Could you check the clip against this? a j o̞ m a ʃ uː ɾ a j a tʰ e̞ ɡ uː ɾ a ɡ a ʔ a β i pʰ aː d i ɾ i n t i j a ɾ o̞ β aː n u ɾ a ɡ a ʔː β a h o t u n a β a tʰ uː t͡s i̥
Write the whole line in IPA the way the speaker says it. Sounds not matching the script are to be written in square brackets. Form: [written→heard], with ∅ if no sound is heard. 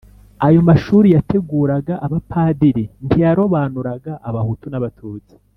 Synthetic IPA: a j o̞ m a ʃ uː ɾ [a→i] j a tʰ e̞ ɡ uː ɾ a ɡ a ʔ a β [i→a] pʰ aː d i ɾ i n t i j a ɾ o̞ β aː n u ɾ a ɡ a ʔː β a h [o→u] t u n a β a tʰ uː t͡s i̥